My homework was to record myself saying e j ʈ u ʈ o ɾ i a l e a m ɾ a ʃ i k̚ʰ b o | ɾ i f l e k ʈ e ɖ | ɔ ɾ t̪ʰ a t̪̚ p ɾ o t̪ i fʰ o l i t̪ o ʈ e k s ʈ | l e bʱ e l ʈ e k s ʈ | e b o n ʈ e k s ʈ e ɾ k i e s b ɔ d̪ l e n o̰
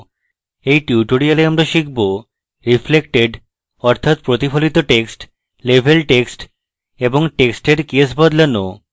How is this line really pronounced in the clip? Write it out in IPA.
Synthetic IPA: e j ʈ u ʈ o ɾ i a l e a m ɾ a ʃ i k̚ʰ b o | ɾ i f l e k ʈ e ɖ | ɔ ɾ t̪ʰ a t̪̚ p ɾ o t̪ i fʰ o l i t̪ o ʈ e k s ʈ | l e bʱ e l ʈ e k s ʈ | e b o ŋ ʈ e k s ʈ e ɾ k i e s b ɔ d̪ l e n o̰

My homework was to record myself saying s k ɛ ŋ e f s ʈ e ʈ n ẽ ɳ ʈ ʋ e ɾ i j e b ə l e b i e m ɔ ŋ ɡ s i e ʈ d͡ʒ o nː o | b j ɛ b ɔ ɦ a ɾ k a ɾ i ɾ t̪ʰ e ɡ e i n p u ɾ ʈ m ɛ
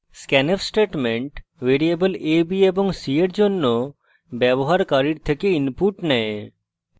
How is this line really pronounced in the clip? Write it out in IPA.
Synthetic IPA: s k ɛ n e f s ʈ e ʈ m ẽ ɳ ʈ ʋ e ɾ i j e b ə l e b i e b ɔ ŋ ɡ s i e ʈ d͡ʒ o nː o | b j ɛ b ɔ ɦ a ɾ k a ɾ i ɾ t̪ʰ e k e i n p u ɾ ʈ n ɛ

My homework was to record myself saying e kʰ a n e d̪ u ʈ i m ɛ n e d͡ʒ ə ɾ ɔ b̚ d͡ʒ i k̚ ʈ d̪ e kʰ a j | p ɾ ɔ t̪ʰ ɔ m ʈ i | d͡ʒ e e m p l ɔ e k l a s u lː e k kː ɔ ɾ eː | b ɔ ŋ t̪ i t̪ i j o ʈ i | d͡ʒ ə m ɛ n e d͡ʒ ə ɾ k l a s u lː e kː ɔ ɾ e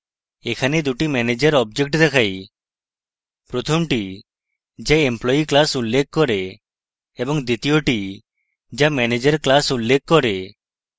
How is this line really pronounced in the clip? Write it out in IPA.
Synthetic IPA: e kʰ a n e d̪ u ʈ i m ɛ n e d͡ʒ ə ɾ ɔ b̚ d͡ʒ e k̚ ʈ d̪ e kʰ a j | p ɾ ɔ t̪ʰ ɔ m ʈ i | d͡ʒ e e m p l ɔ i k l a s u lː e k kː ɔ ɾ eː | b ɔ ŋ d̪ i t̪ i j o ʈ i | d͡ʒ a m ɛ n e d͡ʒ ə ɾ k l a s u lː e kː ɔ ɾ e

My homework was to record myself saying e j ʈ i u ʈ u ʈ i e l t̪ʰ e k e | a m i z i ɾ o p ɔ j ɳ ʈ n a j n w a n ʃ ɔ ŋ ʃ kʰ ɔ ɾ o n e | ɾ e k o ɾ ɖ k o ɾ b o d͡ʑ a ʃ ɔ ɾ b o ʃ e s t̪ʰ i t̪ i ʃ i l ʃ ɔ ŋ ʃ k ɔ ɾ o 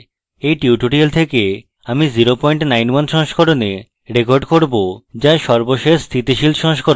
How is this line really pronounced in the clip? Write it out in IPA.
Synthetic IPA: e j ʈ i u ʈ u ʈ i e l t̪ʰ e k e | a m i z i ɾ o p ɔ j ɳ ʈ n a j n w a n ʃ ɔ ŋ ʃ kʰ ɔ ɾ o n e | ɾ e k o ɾ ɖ k o ɾ b o d͡ʑ a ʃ ɔ ɾ b o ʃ e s t̪ʰ i t̪ i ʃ i l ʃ ɔ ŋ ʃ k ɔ ɾ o

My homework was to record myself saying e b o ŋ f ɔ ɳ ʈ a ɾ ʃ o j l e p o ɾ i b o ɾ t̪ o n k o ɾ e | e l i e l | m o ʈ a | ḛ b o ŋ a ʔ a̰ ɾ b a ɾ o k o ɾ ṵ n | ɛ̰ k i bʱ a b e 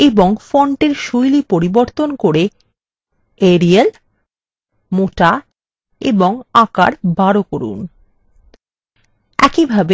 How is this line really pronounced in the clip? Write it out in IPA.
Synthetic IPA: e b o ŋ f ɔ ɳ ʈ e ɾ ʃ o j l i p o ɾ i b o ɾ t̪ o n k o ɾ e | e ɾ i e l | m o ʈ a | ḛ b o ŋ a k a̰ ɾ b a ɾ o k o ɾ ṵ n | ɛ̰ k i bʱ a b e

